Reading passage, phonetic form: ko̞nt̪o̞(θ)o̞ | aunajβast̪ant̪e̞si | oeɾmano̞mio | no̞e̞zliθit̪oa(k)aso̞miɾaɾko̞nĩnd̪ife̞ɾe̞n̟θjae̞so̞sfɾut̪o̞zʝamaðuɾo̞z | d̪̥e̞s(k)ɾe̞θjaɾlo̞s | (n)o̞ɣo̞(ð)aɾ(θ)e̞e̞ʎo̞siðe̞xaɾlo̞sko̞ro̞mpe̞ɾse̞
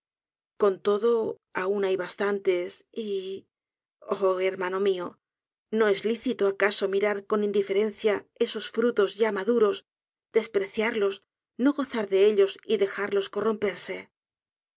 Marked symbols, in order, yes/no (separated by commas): no, yes, no, yes, no, no